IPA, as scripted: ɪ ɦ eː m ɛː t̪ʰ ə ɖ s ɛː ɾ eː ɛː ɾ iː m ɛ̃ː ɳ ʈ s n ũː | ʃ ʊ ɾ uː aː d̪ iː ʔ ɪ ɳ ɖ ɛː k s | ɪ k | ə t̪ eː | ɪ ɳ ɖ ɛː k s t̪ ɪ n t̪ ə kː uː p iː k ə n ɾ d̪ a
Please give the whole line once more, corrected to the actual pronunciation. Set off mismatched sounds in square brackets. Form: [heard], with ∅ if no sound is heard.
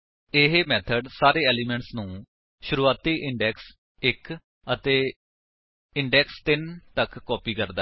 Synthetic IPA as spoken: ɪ ɦ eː m ɛː t̪ʰ ə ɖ s [aː] ɾ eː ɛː [l] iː m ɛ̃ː ɳ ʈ s n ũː | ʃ ʊ ɾ uː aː [t̪] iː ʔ ɪ ɳ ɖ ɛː k s | ɪ k | ə t̪ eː | ɪ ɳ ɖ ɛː k s t̪ ɪ n t̪ ə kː [ɔː] p iː k ə [∅] ɾ d̪ a